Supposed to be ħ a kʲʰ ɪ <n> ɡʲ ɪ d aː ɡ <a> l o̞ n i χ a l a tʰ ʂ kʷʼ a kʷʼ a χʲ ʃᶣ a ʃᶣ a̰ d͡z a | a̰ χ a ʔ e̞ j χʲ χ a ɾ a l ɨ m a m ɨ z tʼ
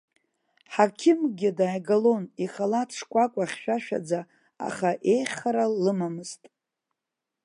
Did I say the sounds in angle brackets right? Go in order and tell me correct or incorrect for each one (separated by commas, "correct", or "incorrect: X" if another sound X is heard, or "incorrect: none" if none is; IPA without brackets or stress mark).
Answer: incorrect: m, correct